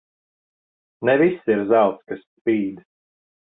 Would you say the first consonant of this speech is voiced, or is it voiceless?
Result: voiced